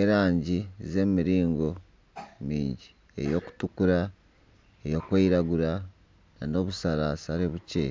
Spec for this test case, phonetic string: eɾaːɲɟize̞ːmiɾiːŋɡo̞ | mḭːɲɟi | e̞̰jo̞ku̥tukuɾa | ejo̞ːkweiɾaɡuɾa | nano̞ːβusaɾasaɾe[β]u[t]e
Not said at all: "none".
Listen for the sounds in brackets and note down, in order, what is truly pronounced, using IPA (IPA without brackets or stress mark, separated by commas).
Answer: β, c